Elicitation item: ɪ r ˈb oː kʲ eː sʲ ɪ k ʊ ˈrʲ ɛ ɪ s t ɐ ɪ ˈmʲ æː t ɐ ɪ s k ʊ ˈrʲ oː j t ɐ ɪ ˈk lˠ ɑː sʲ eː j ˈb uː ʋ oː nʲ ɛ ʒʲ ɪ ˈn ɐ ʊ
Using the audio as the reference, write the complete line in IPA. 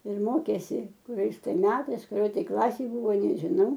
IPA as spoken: ɪ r ˈm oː kʲ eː sʲ ɪ k ʊ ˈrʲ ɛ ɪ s t ɐ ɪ ˈmʲ æː t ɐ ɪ s k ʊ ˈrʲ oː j t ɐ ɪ ˈk lˠ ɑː sʲ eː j ˈb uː ʋ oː nʲ ɛ ʒʲ ɪ ˈn ɐ ʊ